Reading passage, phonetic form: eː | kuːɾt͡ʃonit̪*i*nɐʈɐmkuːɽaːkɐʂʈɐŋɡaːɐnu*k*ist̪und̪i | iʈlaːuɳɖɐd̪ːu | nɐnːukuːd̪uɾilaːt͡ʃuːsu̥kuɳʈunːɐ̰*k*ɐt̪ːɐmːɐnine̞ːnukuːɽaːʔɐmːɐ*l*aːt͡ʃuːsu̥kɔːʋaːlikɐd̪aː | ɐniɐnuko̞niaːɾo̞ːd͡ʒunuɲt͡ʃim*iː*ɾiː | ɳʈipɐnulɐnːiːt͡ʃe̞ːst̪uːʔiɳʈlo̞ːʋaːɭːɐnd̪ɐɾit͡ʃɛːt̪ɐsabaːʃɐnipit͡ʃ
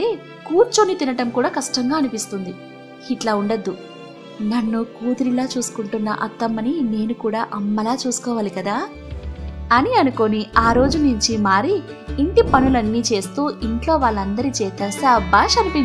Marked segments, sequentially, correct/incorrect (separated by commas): correct, incorrect, incorrect, correct, incorrect